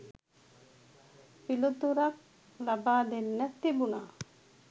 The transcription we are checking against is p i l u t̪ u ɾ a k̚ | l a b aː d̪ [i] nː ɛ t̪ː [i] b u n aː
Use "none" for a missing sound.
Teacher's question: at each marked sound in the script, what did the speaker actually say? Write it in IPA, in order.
e, i

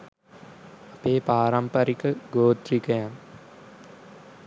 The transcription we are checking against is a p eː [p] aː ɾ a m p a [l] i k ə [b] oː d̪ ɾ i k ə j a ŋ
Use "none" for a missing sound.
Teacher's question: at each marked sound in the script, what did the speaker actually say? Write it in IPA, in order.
p, ɾ, ɡ

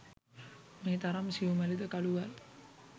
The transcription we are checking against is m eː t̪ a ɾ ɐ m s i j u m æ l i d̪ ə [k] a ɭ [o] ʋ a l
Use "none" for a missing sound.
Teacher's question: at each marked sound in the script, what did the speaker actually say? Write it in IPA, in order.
k, u

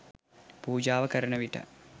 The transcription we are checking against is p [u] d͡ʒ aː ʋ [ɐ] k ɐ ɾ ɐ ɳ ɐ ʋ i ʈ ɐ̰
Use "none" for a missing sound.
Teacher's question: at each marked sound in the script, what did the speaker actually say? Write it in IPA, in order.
uː, ɐ

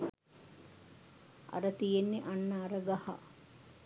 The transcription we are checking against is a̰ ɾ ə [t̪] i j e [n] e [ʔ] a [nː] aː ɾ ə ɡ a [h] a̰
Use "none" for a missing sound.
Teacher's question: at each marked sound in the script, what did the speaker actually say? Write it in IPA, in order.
t̪, nː, ʔ, nː, h

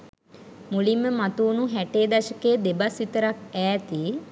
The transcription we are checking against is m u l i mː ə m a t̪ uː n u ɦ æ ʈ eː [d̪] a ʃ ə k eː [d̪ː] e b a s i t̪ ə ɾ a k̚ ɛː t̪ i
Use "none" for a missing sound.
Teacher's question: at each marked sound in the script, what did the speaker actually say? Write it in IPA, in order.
d̪, d̪

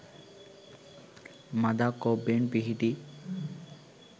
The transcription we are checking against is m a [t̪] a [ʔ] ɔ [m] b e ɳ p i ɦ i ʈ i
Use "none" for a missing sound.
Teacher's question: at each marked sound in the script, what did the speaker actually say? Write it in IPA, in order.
d̪, k, none

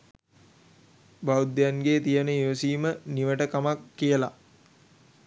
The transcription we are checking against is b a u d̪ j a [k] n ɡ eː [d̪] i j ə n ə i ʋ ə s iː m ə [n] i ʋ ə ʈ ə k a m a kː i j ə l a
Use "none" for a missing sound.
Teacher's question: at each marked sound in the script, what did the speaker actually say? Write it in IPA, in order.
none, t̪, n

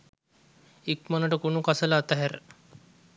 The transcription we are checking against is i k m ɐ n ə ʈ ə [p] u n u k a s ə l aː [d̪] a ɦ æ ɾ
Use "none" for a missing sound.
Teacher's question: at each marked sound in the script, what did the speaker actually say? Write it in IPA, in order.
k, t̪

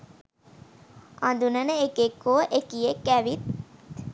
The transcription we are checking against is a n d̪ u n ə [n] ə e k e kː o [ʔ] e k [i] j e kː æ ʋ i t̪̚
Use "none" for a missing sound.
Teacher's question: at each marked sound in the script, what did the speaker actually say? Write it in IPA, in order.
n, ʔ, i

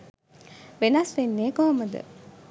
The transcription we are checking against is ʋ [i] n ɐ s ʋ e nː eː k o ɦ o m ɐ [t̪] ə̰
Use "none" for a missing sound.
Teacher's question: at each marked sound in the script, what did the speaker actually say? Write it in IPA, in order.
e, d̪

